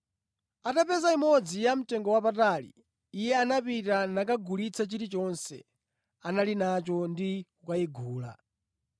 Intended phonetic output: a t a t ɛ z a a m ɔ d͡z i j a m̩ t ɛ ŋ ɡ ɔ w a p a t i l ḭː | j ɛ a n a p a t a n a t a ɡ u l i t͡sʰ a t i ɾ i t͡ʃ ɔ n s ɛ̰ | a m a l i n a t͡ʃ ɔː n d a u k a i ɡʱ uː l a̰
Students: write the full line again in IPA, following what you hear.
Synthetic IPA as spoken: a t a p ɛ z a i m ɔ d͡z i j a m̩ t ɛ ŋ ɡ ɔ w a p a t a l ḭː | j ɛ a n a p i t a n a k a ɡ u l i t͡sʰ a t͡ʃ i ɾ i t͡ʃ ɔ n s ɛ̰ | a n a l i n a t͡ʃ ɔ n d i u k a i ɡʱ uː l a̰